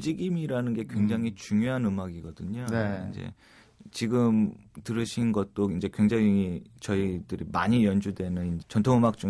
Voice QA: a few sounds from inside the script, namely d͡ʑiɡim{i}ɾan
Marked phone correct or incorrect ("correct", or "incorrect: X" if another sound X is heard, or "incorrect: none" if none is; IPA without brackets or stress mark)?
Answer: correct